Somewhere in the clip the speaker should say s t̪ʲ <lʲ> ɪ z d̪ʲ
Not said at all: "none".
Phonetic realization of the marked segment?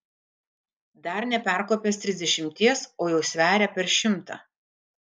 ɾʲ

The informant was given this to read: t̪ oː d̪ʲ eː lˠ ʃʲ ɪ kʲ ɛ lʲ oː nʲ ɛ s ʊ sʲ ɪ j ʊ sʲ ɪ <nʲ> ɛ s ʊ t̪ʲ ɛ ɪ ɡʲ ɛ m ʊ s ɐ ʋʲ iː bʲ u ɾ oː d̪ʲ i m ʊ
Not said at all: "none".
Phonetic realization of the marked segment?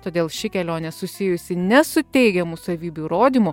nʲ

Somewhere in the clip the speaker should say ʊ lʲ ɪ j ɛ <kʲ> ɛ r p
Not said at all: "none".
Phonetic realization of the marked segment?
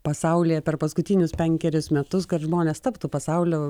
pʲ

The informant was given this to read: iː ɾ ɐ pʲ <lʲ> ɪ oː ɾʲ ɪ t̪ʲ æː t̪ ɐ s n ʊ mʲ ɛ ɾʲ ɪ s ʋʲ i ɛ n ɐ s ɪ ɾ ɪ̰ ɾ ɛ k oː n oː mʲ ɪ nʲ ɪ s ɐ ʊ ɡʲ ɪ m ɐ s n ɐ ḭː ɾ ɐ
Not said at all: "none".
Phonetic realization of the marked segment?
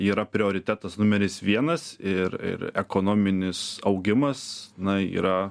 ɾʲ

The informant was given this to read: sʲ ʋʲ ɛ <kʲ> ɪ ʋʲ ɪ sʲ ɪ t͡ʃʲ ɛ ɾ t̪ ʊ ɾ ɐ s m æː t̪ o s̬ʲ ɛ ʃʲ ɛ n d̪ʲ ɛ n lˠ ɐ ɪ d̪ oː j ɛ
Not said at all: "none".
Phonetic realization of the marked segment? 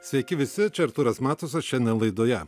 kʲ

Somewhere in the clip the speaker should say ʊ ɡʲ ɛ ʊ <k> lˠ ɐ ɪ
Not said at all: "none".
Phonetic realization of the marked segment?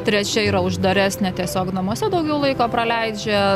none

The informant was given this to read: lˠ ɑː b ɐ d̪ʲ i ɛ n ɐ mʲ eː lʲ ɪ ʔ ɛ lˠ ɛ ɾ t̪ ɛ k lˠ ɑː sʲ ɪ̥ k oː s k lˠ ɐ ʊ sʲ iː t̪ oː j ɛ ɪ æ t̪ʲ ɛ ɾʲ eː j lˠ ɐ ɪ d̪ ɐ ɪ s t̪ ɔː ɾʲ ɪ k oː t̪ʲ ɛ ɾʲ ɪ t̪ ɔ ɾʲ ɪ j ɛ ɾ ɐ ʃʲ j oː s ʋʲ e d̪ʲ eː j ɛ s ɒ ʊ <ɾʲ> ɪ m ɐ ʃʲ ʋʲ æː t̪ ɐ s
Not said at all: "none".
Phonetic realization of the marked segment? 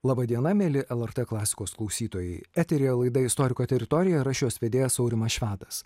ɾʲ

